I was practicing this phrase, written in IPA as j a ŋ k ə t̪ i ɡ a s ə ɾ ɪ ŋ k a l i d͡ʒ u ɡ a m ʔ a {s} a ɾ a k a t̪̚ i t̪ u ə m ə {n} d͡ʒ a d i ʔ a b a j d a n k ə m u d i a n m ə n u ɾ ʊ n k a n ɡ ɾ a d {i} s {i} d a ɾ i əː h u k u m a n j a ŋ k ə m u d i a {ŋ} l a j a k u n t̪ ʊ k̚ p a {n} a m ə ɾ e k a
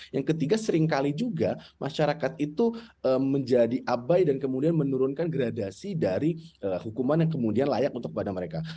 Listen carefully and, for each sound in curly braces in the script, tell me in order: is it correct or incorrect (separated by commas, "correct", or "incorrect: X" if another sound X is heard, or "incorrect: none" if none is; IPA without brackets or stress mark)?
incorrect: ʃ, incorrect: ɲ, incorrect: a, correct, incorrect: n, incorrect: d